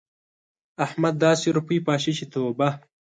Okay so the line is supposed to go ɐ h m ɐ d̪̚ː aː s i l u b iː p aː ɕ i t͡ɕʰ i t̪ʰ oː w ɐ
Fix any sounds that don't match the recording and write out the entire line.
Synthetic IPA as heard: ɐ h m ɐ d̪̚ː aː s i ɾ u p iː p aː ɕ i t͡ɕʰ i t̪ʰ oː b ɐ